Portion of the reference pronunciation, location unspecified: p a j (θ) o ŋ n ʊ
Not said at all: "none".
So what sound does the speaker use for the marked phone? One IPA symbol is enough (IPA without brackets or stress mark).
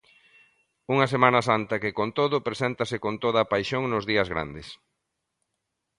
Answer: ʃ